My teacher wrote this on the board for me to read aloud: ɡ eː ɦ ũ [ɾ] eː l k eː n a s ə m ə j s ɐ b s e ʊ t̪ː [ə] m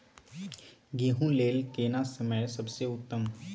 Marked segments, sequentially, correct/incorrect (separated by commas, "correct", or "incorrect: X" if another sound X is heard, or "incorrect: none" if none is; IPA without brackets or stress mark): incorrect: l, correct